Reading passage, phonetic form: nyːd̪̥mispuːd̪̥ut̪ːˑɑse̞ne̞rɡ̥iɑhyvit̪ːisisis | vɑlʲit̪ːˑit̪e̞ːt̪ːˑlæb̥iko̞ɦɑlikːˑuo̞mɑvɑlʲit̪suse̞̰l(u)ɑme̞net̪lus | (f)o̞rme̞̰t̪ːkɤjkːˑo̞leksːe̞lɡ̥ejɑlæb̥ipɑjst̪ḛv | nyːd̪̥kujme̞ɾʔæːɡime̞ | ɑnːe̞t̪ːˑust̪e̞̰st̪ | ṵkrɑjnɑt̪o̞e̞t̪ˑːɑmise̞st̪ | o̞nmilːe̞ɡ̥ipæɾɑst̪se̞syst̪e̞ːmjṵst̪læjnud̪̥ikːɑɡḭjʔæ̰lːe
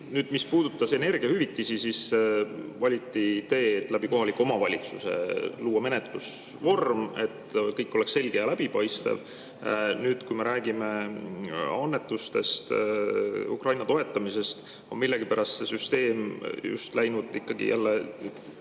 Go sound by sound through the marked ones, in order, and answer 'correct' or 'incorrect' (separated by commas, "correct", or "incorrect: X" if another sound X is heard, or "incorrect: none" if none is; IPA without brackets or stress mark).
incorrect: uː, incorrect: v